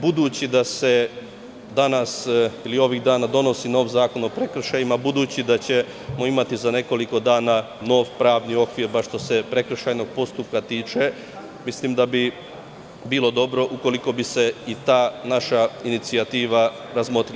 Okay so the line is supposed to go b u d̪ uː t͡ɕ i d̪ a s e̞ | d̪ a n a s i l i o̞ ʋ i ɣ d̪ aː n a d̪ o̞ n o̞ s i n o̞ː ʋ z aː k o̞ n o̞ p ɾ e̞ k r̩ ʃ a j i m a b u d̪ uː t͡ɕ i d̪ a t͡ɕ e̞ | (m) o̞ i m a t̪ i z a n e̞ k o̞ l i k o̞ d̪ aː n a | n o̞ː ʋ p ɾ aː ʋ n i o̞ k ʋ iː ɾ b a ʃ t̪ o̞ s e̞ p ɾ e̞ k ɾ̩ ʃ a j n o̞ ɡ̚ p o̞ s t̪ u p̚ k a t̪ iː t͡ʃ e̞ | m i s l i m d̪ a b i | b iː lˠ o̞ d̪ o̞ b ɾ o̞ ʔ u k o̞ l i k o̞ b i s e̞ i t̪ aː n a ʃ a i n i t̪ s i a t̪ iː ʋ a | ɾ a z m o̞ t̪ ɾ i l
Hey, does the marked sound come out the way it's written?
yes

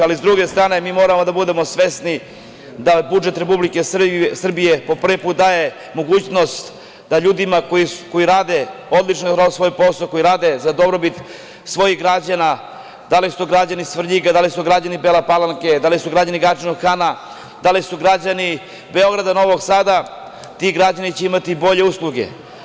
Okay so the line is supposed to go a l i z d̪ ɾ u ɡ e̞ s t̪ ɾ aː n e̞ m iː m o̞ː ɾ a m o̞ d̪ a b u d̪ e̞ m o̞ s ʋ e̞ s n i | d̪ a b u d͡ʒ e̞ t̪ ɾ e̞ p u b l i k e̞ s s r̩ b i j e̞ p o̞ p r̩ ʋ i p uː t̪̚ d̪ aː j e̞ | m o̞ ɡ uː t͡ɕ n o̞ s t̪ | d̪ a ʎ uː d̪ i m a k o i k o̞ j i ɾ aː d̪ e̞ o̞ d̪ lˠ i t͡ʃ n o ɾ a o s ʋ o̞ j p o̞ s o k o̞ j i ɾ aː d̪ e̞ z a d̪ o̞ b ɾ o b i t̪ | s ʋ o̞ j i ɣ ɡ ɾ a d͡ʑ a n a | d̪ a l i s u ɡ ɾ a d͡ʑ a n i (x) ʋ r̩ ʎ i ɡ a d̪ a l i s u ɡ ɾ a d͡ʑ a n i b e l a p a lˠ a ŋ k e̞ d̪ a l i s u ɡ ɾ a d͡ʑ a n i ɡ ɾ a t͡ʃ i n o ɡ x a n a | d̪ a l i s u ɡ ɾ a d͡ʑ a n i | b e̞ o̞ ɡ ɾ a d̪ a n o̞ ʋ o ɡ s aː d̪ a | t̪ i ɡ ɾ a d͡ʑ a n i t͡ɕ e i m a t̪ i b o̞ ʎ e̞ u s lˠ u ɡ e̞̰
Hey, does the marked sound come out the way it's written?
no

